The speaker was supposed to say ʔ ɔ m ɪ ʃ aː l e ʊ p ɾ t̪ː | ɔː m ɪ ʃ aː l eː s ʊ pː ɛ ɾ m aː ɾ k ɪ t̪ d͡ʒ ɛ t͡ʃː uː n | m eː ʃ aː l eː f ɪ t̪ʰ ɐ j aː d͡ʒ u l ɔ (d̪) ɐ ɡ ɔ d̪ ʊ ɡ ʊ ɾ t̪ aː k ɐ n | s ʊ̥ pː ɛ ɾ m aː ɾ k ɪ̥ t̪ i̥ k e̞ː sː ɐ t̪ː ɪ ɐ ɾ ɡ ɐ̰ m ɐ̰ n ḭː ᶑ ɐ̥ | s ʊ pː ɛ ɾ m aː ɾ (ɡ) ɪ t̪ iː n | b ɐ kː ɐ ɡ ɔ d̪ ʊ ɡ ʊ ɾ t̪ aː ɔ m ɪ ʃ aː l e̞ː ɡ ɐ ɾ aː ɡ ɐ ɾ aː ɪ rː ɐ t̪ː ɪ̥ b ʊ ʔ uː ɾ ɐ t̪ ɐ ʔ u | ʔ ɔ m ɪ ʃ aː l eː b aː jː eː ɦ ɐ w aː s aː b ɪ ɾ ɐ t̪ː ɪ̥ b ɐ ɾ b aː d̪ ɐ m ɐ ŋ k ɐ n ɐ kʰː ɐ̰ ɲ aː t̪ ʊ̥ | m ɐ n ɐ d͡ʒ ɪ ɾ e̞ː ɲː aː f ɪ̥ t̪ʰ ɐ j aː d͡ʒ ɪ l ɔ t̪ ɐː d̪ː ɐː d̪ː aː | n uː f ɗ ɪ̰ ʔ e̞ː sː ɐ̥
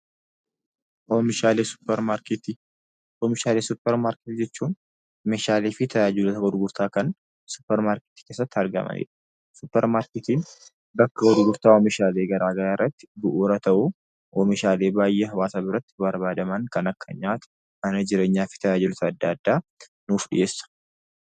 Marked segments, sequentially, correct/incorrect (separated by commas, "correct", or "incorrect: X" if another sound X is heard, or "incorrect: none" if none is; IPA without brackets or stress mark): incorrect: t̪, incorrect: k